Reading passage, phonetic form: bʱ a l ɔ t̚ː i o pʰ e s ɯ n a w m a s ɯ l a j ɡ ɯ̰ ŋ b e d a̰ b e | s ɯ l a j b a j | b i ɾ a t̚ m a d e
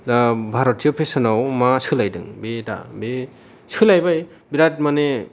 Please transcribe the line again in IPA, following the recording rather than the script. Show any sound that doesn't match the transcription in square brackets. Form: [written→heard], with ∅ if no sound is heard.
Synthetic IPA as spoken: bʱ a [l→ɾ] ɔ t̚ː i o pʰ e s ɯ n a w m a s ɯ l a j [ɡ→d] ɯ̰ ŋ b e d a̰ b e | s ɯ l a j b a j | b i ɾ a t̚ m a [d→n] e

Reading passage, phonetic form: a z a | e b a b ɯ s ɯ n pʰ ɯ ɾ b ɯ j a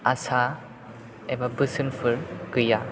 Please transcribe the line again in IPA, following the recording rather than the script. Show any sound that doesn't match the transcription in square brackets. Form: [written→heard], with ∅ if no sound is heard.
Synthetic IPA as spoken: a [z→s] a | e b a b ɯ s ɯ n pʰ ɯ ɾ [b→ɡ] ɯ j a

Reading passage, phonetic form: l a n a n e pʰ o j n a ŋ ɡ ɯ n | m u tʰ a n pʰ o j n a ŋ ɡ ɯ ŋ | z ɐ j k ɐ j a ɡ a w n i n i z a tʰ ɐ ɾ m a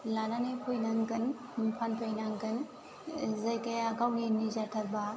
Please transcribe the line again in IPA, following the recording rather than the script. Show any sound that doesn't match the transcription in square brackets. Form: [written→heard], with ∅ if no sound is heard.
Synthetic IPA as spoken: l a n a n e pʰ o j n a ŋ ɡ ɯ n | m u [tʰ→pʰ] a n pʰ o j n a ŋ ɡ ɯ [ŋ→n] | z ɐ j k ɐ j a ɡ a w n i n i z a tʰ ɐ ɾ [m→b] a

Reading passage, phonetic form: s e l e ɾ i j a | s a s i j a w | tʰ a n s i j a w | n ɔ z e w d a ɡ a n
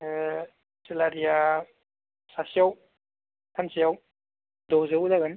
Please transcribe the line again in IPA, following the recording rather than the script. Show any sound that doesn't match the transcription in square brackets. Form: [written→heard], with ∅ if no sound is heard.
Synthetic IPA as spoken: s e l [e→a] ɾ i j a | s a s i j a w | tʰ a n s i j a w | [n→d] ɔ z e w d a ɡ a n

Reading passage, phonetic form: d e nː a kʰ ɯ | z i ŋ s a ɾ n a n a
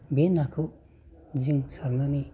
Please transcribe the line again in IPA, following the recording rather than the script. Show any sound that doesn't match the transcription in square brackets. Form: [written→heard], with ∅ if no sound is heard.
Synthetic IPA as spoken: [d→b] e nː a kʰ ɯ | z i ŋ s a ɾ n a n [a→i]

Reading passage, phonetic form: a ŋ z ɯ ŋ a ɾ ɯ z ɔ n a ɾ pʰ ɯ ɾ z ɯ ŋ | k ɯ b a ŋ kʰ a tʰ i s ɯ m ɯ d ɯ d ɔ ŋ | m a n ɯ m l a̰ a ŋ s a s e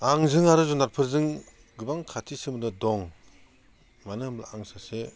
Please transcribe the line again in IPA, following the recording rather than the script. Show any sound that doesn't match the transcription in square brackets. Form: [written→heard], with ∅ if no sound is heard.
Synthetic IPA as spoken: a ŋ z ɯ ŋ a ɾ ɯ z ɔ n a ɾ pʰ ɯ ɾ z ɯ ŋ | [k→ɡ] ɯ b a ŋ kʰ a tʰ i s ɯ m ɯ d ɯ d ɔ ŋ | m a n ɯ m l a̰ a ŋ s a s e

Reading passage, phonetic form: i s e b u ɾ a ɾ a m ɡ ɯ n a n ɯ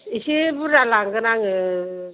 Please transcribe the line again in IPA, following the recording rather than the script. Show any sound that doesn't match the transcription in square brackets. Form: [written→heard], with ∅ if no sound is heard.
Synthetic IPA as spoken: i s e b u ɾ a [ɾ→l] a [m→ŋ] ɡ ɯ n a [n→ŋ] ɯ

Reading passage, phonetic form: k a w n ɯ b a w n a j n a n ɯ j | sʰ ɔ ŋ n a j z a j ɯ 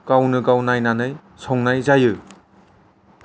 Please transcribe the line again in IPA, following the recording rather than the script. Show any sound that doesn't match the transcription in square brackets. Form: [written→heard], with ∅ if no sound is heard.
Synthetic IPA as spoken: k a w n ɯ [b→ɡ] a w n a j n a n ɯ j | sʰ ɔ ŋ n a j z a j ɯ

